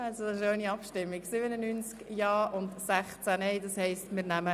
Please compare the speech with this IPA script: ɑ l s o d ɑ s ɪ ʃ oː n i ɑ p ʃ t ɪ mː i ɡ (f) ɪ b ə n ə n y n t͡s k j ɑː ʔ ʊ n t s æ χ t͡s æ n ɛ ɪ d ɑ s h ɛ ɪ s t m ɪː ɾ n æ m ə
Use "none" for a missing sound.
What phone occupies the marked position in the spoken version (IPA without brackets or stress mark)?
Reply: s